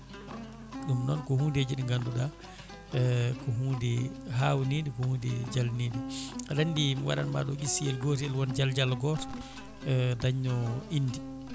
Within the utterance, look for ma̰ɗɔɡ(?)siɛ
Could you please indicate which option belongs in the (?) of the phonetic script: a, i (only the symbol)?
i